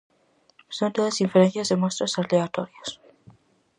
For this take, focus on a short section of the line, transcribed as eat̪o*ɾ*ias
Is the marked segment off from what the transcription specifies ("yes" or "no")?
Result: no